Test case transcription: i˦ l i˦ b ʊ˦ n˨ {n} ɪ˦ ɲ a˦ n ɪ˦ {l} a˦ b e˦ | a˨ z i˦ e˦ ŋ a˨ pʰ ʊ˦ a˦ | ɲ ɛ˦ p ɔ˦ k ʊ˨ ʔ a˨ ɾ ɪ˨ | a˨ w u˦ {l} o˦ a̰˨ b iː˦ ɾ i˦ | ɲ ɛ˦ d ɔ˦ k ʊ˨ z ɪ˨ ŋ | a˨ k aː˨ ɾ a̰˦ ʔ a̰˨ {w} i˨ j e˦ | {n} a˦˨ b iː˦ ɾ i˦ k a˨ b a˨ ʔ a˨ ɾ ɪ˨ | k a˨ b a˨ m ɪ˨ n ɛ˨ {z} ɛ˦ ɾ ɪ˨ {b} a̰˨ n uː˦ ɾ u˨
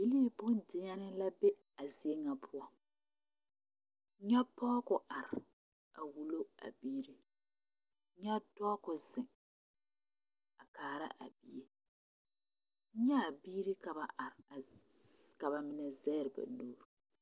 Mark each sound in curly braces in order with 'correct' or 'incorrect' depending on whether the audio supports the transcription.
incorrect, correct, correct, incorrect, incorrect, correct, correct

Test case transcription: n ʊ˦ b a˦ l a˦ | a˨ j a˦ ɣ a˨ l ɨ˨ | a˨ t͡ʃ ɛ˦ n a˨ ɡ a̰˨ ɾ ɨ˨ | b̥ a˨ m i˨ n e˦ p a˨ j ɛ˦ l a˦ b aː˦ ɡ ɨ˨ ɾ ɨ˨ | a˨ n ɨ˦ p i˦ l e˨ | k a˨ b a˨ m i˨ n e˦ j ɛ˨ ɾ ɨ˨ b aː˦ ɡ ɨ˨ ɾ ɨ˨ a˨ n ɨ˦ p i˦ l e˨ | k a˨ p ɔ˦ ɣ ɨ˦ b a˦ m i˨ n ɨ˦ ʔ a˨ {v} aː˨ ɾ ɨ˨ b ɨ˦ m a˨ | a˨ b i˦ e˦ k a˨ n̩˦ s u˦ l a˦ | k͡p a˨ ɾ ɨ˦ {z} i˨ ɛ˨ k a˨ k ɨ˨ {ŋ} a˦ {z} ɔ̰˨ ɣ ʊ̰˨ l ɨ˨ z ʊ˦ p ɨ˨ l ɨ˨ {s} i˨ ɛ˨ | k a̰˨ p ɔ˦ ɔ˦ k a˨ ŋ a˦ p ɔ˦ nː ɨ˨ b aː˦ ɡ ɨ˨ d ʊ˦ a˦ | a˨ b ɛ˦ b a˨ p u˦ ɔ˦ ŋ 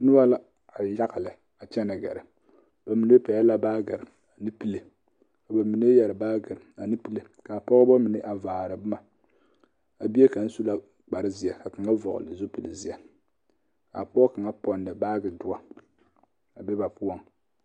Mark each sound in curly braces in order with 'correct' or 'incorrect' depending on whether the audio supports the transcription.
correct, correct, correct, incorrect, incorrect

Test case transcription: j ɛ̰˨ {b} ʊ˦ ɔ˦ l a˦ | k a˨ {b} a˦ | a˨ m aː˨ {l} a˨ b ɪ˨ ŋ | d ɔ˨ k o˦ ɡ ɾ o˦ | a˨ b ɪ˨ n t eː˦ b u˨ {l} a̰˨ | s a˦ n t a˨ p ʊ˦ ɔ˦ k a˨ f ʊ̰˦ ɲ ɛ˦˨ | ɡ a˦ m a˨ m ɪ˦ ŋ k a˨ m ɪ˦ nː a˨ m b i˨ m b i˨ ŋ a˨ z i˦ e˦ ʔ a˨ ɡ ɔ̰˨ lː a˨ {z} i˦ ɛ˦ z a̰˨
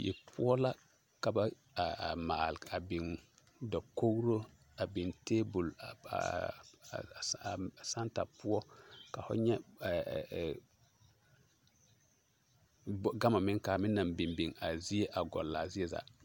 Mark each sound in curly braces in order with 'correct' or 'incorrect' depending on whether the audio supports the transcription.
incorrect, correct, correct, correct, correct

